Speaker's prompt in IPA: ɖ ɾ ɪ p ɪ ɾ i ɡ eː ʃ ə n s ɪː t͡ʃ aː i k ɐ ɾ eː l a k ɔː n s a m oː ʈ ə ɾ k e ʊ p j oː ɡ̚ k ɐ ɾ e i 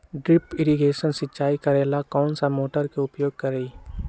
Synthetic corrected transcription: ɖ ɾ ɪ p ɪ ɾ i ɡ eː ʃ ə n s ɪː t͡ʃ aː i k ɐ ɾ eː l a k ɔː n s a m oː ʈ ə ɾ k e ʊ p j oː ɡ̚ k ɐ ɾ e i